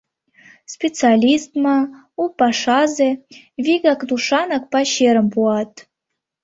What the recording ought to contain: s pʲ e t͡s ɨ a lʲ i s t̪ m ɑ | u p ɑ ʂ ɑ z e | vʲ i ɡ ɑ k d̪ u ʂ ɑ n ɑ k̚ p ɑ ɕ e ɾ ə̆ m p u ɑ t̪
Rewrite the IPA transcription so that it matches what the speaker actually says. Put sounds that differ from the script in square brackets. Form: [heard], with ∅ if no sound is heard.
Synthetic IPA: s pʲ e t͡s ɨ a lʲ i s t̪ m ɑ | u p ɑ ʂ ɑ z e | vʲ i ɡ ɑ k d̪ u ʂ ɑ n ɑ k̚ p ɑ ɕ e ɾ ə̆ m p u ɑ t̪